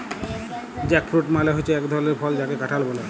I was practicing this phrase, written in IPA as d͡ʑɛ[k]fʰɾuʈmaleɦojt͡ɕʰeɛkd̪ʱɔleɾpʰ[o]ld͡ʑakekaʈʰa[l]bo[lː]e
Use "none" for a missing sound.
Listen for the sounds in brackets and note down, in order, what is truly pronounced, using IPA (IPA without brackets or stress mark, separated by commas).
k, ɔ, l, l